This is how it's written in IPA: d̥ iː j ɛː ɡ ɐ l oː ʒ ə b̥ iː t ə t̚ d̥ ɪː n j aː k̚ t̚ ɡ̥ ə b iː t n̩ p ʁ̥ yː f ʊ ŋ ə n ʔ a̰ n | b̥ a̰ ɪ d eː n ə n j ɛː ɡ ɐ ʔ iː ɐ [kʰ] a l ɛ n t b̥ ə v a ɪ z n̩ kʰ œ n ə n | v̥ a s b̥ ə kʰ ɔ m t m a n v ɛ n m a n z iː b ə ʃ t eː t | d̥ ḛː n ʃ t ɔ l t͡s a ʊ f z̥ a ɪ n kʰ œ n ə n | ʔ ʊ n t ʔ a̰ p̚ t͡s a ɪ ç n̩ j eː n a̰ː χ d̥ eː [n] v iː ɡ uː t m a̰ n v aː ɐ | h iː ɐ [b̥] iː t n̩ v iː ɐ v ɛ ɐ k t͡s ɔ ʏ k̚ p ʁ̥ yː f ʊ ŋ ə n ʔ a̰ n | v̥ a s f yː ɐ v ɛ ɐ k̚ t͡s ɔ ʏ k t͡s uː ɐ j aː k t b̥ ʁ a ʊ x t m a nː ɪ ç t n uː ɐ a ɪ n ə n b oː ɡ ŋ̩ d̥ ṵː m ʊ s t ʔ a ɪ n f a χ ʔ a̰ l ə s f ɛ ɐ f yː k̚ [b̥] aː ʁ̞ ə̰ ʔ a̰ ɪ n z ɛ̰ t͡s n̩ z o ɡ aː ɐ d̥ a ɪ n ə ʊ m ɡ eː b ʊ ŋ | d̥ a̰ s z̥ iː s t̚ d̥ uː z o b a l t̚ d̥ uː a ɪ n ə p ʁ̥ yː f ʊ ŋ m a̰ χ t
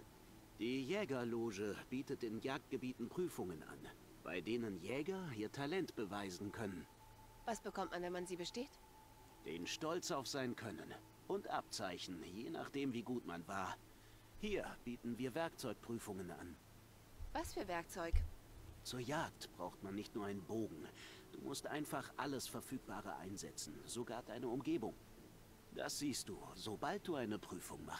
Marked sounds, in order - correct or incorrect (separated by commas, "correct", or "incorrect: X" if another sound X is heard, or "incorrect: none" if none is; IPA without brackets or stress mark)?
incorrect: tʰ, incorrect: m, correct, correct